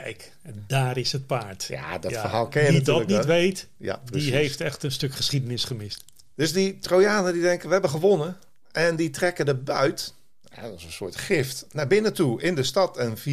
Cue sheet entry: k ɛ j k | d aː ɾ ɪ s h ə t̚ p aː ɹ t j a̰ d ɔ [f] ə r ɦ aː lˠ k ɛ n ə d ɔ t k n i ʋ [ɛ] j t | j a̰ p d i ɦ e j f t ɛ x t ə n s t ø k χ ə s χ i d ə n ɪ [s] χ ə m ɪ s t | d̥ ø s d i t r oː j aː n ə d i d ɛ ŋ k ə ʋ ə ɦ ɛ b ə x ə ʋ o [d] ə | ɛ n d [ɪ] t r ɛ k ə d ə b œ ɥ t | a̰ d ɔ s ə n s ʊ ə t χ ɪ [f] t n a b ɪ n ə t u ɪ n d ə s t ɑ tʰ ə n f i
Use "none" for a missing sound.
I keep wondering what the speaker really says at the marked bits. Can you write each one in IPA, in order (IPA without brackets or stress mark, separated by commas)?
f, e, s, n, i, f